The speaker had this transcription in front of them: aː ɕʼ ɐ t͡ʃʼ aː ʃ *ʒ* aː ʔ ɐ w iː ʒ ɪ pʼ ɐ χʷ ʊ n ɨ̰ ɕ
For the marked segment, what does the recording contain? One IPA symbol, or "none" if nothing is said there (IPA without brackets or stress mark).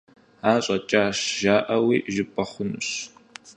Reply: ʒ